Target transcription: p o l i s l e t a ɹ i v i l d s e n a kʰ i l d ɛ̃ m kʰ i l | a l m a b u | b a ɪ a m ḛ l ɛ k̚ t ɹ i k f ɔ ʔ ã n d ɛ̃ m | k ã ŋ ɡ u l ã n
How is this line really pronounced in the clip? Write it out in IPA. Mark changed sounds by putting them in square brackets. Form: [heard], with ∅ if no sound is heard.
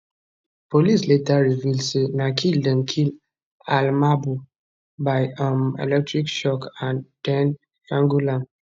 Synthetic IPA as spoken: p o l i s l e t a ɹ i v i l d s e n a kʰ i l d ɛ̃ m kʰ i l | a l m a b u | b a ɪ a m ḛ l ɛ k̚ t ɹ i k [ʃ] ɔ [k] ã n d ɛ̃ [n] | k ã ŋ ɡ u l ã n